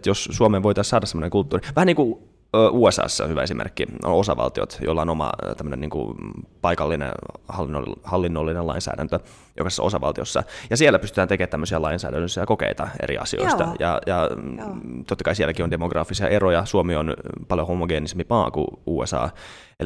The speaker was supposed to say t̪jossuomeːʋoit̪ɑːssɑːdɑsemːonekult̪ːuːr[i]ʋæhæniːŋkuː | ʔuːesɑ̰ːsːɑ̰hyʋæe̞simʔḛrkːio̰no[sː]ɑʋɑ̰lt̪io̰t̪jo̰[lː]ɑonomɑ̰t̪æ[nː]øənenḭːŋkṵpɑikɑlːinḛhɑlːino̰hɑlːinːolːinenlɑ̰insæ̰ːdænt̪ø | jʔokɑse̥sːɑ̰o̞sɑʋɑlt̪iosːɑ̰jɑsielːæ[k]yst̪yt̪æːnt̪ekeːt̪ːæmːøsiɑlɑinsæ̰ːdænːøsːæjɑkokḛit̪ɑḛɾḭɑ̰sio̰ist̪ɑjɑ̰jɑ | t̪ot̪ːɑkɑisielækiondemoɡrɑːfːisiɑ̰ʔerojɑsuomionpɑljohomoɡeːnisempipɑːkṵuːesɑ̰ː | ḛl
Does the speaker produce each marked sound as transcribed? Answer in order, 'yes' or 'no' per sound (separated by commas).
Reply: yes, no, yes, no, no